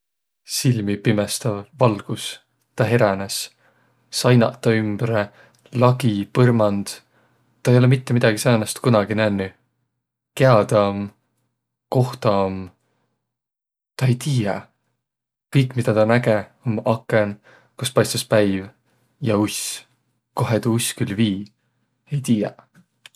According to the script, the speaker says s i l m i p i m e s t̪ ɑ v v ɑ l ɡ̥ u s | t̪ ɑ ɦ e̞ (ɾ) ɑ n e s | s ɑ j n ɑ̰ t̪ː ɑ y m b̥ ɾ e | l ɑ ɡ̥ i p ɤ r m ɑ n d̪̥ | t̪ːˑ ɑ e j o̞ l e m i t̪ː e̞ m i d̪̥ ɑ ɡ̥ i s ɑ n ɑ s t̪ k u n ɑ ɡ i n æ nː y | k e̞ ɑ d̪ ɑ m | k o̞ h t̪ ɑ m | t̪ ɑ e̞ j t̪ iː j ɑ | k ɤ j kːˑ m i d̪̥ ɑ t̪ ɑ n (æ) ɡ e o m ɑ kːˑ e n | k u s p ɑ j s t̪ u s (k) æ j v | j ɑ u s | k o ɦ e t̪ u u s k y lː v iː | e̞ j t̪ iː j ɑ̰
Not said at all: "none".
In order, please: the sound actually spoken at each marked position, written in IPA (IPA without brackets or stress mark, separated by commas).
ɾ, æ, p